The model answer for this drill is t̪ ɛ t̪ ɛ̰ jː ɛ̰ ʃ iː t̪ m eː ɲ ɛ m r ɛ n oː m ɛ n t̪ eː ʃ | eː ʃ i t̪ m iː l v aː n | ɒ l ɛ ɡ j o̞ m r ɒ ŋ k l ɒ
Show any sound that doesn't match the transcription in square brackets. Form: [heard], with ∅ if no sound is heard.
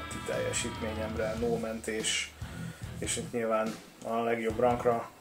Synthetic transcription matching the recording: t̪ [i] t̪ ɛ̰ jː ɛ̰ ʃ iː t̪ m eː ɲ ɛ m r ɛ n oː m ɛ n t̪ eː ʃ | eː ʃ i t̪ [ɲ] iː l v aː n | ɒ l ɛ ɡ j o̞ [b] r ɒ ŋ k [r] ɒ